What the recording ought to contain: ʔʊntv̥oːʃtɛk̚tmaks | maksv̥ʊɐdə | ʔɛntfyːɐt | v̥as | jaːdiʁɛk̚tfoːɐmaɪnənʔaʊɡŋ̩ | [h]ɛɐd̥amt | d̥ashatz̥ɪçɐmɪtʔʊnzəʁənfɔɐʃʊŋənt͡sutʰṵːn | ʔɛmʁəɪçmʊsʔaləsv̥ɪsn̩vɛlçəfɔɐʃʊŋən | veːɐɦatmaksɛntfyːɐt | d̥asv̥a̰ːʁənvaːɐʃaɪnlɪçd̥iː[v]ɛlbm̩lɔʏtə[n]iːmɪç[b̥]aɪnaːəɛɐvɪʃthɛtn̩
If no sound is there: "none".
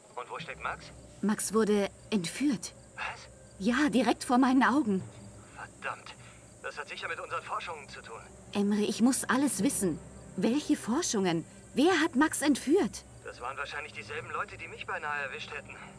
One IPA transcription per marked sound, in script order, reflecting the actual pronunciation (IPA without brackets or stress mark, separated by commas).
f, z, d, b̥